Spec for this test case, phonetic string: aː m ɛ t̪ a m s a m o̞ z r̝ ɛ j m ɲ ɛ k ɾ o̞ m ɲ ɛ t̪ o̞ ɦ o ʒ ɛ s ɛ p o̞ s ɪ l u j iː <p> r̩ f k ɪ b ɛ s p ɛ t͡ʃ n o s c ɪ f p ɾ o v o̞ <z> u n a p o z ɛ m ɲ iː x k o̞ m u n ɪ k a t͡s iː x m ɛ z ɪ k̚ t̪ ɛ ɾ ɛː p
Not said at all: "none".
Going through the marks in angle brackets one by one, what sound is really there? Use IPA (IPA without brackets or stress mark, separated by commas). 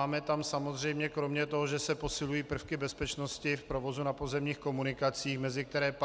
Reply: p, z